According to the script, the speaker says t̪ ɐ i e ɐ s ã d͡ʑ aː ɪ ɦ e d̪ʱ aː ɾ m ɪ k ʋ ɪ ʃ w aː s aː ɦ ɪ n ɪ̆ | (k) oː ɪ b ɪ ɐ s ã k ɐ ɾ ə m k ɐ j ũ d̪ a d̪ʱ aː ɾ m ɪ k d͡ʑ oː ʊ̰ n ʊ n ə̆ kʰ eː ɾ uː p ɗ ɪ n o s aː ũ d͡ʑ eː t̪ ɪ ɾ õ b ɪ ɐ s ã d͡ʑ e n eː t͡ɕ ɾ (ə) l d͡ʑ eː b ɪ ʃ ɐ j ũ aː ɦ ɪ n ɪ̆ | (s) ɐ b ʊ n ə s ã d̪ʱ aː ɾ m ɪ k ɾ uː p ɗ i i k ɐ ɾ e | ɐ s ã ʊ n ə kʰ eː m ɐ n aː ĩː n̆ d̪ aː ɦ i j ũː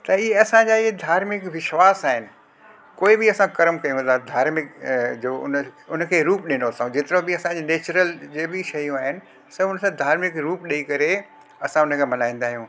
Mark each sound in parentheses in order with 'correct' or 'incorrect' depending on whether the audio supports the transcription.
correct, correct, correct

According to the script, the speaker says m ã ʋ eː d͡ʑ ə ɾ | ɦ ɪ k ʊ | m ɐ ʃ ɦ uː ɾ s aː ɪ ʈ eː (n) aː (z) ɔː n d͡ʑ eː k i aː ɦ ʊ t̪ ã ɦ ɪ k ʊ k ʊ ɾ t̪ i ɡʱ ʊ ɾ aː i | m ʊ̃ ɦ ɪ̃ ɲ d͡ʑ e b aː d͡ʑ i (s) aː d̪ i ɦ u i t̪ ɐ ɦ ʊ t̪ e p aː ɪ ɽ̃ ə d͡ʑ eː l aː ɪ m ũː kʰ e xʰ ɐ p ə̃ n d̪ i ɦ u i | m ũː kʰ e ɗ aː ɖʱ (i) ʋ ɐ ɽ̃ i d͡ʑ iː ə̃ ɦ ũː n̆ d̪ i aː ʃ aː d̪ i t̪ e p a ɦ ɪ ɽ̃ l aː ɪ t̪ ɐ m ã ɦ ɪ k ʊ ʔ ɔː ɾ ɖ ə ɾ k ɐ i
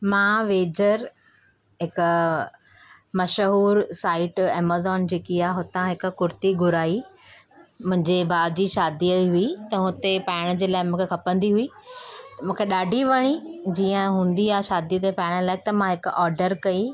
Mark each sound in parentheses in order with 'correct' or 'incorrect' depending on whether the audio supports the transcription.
incorrect: m, correct, incorrect: ʃ, correct

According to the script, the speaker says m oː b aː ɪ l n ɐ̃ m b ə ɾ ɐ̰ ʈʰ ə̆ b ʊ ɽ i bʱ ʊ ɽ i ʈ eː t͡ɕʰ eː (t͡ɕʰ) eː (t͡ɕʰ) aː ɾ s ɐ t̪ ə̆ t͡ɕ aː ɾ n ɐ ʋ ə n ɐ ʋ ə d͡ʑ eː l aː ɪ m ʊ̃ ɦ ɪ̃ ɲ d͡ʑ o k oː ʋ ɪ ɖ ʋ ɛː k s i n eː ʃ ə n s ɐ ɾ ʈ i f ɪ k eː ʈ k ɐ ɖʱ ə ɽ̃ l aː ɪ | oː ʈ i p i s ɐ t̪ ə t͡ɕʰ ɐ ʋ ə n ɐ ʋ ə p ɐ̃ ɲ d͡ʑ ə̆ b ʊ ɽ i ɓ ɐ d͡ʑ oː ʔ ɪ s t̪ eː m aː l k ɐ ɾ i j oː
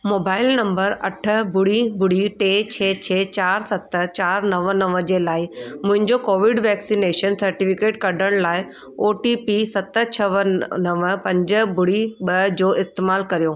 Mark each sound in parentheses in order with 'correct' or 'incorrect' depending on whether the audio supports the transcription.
correct, incorrect: t͡ɕ

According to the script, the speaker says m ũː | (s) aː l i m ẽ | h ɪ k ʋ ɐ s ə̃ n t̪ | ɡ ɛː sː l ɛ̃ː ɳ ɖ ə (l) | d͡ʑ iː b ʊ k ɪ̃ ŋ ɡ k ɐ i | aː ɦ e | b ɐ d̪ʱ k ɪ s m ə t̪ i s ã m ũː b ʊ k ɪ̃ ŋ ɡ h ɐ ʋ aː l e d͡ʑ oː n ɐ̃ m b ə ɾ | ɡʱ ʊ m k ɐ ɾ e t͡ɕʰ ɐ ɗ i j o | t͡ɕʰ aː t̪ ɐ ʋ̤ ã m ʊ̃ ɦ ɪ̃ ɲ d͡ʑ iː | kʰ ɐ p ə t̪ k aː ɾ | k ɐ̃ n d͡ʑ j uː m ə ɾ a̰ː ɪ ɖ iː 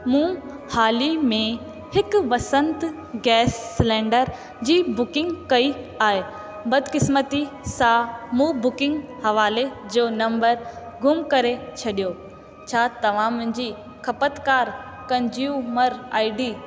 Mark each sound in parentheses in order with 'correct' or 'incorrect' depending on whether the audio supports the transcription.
incorrect: h, incorrect: ɾ

